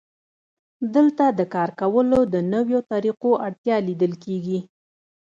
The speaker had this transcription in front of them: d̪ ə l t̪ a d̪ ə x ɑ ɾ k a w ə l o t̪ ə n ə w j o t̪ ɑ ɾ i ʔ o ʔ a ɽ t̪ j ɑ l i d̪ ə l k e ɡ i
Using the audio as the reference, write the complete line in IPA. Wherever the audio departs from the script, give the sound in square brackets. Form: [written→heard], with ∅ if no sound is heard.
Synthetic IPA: d̪ ə l t̪ a d̪ ə [x→k] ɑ ɾ k a w ə l o [t̪→d̪] ə n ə w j o t̪ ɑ ɾ i [ʔ→q] o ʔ a ɽ t̪ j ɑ l i d̪ ə l k e ɡ i